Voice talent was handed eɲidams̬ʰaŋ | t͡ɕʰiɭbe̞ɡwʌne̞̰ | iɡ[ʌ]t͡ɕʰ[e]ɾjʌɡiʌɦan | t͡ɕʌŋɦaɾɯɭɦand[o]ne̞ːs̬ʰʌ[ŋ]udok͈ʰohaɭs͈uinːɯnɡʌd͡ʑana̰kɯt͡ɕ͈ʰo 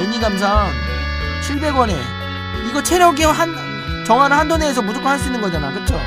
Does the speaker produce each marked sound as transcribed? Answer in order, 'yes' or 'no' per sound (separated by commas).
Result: yes, yes, yes, no